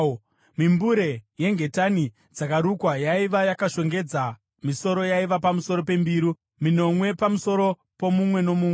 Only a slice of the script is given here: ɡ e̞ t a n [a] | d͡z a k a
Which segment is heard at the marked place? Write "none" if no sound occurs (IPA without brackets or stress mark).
i